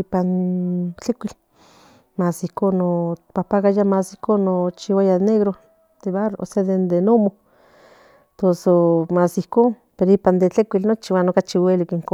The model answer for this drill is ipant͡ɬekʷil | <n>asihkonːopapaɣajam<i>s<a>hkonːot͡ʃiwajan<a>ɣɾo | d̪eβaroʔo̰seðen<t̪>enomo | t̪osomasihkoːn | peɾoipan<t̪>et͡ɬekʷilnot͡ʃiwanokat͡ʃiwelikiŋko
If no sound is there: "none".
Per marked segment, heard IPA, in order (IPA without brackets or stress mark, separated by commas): m, a, i, e, d̪, d̪